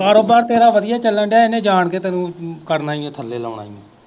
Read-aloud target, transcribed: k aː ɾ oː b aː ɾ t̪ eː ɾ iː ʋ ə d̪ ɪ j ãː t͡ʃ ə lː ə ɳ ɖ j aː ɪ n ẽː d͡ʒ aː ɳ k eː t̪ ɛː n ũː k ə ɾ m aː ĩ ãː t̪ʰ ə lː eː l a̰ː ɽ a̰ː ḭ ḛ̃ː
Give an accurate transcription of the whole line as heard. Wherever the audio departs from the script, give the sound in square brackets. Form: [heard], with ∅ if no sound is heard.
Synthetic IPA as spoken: k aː ɾ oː b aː ɾ t̪ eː ɾ [aː] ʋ ə d̪ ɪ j [aː] t͡ʃ ə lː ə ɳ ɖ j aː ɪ n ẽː d͡ʒ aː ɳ k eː t̪ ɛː n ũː k ə ɾ [n] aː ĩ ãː t̪ʰ ə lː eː l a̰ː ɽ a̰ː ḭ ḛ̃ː

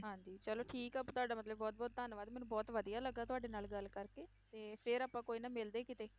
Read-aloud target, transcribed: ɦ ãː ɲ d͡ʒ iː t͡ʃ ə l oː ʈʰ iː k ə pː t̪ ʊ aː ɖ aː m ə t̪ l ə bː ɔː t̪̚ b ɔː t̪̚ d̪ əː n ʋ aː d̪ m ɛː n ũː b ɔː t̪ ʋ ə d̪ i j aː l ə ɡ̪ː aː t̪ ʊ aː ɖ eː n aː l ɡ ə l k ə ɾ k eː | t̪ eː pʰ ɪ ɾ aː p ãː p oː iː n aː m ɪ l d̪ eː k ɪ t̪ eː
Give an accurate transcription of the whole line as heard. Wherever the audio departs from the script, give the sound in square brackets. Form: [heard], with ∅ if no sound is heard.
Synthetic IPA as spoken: ɦ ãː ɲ d͡ʒ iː t͡ʃ ə l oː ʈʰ iː k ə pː t̪ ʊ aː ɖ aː m ə t̪ l ə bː ɔː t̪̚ b ɔː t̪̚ d̪ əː n ʋ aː d̪ m ɛː n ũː b ɔː t̪ ʋ ə d̪ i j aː l ə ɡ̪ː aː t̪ ʊ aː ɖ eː n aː l ɡ ə l k ə ɾ k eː | t̪ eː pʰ ɪ ɾ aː p ãː [k] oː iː n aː m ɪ l d̪ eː k ɪ t̪ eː

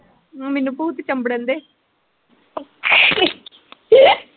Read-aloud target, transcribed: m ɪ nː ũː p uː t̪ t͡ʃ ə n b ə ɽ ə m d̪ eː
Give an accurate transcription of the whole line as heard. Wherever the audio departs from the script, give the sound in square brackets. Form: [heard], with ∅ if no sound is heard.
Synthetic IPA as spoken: m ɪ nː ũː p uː t̪ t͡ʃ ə [m] b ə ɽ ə [n] d̪ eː

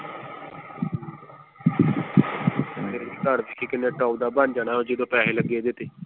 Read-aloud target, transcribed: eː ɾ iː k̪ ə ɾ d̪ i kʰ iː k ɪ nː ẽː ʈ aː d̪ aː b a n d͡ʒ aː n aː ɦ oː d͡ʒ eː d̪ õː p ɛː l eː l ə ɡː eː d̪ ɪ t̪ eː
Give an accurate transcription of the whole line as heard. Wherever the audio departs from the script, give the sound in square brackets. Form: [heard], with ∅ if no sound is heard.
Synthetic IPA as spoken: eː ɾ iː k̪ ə ɾ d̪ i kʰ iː k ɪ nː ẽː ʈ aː d̪ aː b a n d͡ʒ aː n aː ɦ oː d͡ʒ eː d̪ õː p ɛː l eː l ə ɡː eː d̪ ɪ t̪ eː

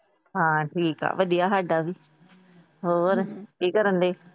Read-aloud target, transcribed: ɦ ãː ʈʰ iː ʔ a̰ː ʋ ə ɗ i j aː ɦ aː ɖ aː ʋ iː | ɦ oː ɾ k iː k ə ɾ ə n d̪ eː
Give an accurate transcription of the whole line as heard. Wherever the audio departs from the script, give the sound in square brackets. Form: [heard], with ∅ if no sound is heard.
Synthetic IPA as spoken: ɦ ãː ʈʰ iː [k] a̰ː ʋ ə ɗ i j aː ɦ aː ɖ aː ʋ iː | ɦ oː ɾ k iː k ə ɾ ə n d̪ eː

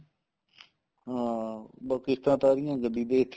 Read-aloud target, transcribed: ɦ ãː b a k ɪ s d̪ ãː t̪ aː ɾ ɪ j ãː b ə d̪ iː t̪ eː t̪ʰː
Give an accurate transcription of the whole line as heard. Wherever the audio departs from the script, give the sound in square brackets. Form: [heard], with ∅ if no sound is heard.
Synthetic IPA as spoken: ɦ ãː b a k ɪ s [t̪] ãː t̪ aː ɾ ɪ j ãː [ɡ] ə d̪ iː [d̪] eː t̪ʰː

